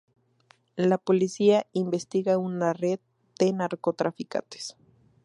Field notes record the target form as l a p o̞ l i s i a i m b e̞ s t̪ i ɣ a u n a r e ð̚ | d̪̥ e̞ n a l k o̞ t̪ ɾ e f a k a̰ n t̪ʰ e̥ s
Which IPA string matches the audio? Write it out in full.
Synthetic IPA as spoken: l a p o̞ l i s i a i m b e̞ s t̪ i ɣ a u n a r e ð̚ | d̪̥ e̞ n a ɾ k o̞ t̪ ɾ a f i k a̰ n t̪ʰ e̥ s